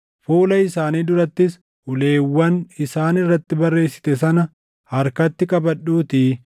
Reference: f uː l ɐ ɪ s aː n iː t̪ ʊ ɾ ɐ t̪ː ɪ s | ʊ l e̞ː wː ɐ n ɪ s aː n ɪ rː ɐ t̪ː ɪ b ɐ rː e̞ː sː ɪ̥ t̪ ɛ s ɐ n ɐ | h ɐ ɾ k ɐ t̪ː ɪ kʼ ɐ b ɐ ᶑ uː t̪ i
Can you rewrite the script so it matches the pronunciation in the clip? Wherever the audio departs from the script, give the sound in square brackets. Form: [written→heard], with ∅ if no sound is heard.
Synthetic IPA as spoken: f uː l ɐ ɪ s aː n iː [t̪→d̪] ʊ ɾ ɐ t̪ː ɪ s | ʊ l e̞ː wː ɐ n ɪ s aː n ɪ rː ɐ t̪ː ɪ b ɐ rː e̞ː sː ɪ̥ t̪ ɛ s ɐ n ɐ | h ɐ ɾ k ɐ t̪ː ɪ kʼ ɐ b ɐ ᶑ uː t̪ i